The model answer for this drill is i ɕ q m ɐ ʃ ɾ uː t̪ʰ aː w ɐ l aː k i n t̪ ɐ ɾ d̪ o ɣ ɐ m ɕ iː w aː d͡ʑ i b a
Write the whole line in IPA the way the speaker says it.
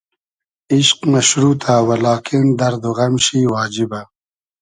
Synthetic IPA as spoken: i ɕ q m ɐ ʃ ɾ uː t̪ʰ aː w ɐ l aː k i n d̪ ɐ ɾ d̪ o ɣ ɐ m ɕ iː w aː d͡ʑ i b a

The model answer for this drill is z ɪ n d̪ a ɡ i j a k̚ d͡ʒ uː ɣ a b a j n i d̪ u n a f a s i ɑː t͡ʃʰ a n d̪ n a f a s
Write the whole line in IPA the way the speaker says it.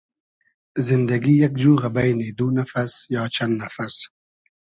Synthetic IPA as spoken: z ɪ n d̪ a ɡ i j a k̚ d͡ʒ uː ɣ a b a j n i d̪ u n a f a s j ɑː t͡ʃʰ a n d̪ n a f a s

